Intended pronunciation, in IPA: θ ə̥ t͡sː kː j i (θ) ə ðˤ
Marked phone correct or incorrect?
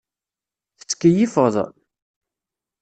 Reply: incorrect: f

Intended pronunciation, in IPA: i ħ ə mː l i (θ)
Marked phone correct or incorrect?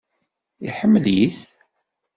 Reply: correct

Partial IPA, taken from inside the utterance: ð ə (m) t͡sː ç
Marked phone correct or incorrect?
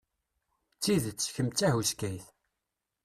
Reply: incorrect: none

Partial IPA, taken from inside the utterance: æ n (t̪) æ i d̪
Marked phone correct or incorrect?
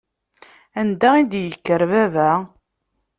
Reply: incorrect: d̪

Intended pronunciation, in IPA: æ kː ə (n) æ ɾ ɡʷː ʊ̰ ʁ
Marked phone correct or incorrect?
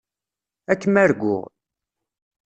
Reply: incorrect: m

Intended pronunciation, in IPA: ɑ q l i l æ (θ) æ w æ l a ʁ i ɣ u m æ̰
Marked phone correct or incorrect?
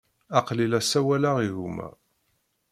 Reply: incorrect: s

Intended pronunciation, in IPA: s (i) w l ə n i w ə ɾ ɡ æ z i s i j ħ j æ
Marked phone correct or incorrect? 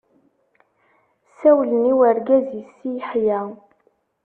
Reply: incorrect: æ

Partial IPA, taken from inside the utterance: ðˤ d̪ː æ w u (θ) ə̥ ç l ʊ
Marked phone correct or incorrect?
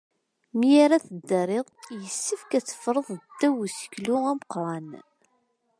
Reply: incorrect: s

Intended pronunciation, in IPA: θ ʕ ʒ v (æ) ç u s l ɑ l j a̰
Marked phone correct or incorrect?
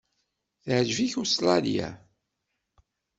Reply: incorrect: i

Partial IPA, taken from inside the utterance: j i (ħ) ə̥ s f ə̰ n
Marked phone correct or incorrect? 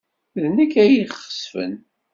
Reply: incorrect: χ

